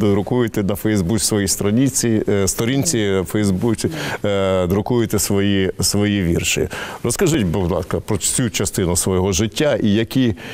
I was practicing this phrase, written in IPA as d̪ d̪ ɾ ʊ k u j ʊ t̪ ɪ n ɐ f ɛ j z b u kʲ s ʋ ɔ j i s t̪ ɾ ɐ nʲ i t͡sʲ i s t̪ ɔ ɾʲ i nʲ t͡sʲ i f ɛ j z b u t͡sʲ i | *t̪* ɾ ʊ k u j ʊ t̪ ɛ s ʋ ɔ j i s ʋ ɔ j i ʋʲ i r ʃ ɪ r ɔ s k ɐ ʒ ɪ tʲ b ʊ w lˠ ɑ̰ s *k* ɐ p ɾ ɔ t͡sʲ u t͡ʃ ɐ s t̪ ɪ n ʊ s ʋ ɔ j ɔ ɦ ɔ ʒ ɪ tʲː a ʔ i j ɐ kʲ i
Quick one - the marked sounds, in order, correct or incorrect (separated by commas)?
incorrect, correct